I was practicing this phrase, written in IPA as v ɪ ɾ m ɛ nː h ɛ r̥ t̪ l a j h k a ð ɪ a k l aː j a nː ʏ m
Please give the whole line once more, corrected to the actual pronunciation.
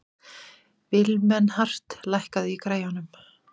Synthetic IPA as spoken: v ɪ l m ɛ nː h a r̥ t̪ l a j h k a ð ɪ i k ɾ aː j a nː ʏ m

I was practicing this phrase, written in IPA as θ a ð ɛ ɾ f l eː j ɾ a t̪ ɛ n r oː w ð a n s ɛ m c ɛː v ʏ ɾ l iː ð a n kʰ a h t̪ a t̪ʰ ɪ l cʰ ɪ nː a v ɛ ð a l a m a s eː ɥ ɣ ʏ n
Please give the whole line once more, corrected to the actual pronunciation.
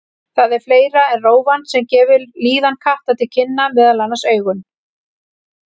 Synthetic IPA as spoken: θ a ð ɛ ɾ f l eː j ɾ a ɛ n r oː w v a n s ɛ m c ɛː v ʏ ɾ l iː ð a n kʰ a h t̪ a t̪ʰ ɪ l cʰ ɪ nː a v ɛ ð a l a n a s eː ɥ ɣ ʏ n

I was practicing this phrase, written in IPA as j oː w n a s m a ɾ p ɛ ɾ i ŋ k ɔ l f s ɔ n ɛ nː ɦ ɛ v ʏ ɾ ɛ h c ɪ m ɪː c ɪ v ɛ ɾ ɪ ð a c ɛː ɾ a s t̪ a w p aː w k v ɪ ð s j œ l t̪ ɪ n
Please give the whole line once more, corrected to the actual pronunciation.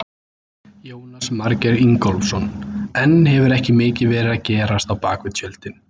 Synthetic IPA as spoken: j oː w n a s m a ɾ c ɛ ɾ i ŋ k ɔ l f s ɔ n ɛ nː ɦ ɛ v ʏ ɾ ɛ h c ɪ m ɪː c ɪ v ɛː ɾ ɪ ð a c ɛː ɾ a s t̪ a w p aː k v ɪ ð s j œ l t̪ ɪ n

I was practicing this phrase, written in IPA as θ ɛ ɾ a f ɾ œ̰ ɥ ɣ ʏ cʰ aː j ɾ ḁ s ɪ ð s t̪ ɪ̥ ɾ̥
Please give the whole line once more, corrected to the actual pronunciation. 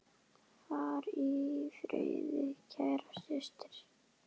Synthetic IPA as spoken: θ a ɾ i f ɾ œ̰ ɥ ð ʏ cʰ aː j ɾ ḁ s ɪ s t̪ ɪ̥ ɾ̥

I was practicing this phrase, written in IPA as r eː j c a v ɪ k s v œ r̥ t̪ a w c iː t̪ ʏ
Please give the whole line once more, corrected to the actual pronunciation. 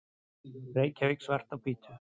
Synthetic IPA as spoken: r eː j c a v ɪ k s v ɛ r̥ t̪ a w p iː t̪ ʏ

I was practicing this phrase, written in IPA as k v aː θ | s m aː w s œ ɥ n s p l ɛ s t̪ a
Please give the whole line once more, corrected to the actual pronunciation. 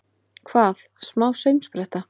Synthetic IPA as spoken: kʰ v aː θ | s m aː w s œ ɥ m s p ɾ ɛ h t̪ a

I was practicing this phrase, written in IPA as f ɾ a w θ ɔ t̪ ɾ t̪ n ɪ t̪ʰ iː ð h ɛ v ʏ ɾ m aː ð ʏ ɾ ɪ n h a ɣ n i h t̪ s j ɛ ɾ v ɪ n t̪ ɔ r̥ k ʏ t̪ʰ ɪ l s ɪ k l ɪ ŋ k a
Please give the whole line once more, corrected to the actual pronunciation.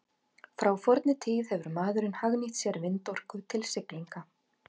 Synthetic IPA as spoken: f ɾ a w f ɔ ɾ t̪ n ɪ t̪ʰ iː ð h ɛ v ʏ ɾ m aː ð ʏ ɾ ɪ n h a ɣ n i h t̪ s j ɛ ɾ v ɪ n t̪ ɔ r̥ k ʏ t̪ʰ ɪ l s ɪ k l i ŋ k a

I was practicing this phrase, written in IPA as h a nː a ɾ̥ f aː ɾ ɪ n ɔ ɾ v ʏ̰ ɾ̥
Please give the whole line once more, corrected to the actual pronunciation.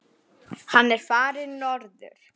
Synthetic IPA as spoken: h a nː ɛ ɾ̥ f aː ɾ ɪ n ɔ ɾ ð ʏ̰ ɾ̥

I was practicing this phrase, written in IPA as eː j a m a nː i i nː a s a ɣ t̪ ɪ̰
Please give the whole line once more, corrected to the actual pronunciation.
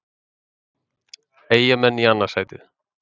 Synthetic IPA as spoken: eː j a m ɛ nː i a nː a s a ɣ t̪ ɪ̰

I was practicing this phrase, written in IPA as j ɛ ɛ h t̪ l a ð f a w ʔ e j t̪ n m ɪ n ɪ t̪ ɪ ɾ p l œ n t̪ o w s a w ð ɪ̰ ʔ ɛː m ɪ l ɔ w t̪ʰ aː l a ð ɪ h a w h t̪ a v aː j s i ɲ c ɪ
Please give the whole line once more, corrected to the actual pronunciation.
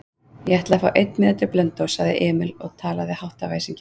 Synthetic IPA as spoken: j ɛ ɛ h t̪ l a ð f a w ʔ e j t̪ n m ɪ n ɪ t̪ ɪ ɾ p l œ n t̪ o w s a ɣ ð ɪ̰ ʔ ɛː m ɪ l ɔ ɣ t̪ʰ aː l a ð ɪ h a w h t̪ a v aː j s i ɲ c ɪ

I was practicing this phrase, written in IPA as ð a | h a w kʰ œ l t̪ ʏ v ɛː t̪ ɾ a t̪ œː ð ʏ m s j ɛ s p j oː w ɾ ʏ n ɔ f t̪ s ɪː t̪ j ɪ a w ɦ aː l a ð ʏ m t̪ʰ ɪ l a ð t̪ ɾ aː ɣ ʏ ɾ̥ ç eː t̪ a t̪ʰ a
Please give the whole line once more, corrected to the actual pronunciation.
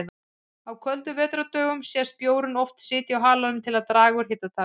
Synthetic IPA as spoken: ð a | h a w kʰ œ l t̪ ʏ v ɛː t̪ ɾ a t̪ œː ɣ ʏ m s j ɛ s p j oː w ɾ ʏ n ɔ f t̪ s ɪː t̪ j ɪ a w ɦ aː l a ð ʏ m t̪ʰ ɪ l a ð t̪ ɾ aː ɣ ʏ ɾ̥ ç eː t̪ a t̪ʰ a

